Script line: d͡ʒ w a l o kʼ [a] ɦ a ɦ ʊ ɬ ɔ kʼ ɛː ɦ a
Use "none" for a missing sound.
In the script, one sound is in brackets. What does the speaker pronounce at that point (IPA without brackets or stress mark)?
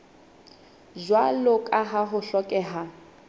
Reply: a